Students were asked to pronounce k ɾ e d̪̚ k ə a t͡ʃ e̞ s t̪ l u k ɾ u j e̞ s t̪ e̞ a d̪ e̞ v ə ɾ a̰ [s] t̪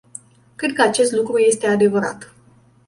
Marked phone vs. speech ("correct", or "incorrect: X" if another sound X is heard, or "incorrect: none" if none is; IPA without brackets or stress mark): incorrect: none